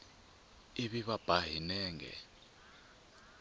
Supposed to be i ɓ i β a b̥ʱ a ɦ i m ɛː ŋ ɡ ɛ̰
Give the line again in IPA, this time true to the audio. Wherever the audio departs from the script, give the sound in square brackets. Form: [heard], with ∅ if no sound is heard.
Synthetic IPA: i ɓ i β a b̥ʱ a ɦ i [n] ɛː ŋ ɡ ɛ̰